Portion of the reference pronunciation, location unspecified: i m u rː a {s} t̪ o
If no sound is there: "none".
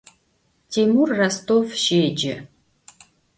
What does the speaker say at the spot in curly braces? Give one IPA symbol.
s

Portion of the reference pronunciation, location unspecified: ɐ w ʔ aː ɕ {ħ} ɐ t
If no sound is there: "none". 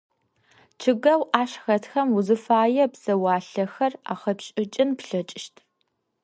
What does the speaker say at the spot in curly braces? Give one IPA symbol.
x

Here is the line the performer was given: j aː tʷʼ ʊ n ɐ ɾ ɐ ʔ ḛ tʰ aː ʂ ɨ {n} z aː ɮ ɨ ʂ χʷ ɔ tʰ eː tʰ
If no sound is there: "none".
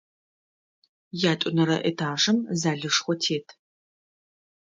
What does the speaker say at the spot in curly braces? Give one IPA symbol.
m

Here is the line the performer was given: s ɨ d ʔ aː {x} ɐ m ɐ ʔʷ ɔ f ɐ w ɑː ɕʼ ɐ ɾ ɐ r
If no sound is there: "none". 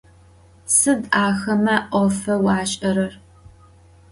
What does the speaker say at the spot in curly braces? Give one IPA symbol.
x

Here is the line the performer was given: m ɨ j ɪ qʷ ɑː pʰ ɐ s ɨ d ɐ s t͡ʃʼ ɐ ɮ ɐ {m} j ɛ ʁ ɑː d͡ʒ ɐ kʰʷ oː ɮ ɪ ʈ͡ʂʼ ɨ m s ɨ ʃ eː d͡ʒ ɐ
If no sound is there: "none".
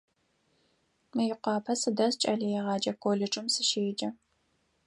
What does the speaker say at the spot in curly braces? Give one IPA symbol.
none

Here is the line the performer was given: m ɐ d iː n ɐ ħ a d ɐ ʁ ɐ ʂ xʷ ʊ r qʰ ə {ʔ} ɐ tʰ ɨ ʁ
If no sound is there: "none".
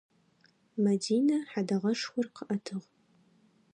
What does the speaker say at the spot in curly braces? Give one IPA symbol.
ʔ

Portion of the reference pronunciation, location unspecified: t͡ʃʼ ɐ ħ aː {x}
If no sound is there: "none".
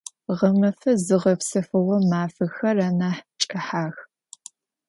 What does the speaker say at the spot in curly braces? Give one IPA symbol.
x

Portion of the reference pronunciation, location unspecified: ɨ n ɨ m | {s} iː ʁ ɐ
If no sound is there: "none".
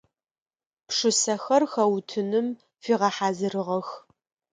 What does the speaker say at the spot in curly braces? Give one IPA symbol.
f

